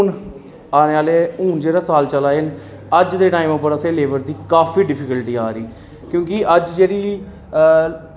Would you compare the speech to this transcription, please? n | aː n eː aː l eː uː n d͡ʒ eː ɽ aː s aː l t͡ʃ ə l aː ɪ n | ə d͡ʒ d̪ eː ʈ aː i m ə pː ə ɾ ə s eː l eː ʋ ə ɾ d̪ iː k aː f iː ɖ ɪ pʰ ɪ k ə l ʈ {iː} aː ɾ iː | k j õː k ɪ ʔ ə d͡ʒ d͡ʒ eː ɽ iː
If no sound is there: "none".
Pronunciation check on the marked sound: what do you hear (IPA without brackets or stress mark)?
iː